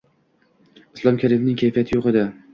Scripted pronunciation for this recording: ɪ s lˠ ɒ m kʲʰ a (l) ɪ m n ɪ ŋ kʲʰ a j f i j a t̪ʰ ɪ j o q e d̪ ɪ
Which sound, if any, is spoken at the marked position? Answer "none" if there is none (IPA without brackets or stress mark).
ɾ